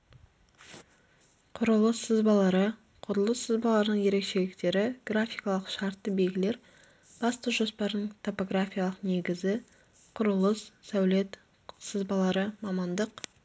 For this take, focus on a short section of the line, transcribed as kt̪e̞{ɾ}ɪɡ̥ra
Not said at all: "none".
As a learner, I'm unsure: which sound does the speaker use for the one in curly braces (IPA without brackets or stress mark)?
ɾ